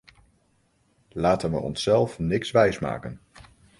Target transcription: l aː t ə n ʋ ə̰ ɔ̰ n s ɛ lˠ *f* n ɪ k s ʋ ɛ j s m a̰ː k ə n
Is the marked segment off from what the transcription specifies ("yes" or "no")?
no